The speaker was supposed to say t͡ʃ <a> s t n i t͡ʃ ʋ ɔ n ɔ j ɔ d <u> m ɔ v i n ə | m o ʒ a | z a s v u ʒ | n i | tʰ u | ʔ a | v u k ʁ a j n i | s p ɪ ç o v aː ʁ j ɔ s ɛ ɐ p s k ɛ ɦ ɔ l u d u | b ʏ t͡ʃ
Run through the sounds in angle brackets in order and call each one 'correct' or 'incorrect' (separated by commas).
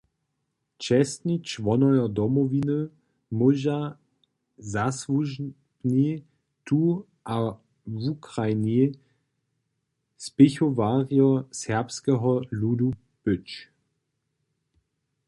incorrect, incorrect